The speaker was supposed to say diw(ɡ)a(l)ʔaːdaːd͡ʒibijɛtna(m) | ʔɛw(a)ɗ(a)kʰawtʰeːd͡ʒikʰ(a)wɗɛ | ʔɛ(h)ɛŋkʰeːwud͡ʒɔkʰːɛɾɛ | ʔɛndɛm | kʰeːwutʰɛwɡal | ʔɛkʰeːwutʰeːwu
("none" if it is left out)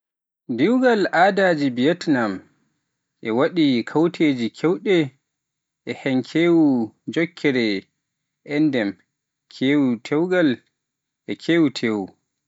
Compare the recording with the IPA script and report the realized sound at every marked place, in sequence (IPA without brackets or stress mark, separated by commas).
ɡ, l, m, a, i, ɛ, h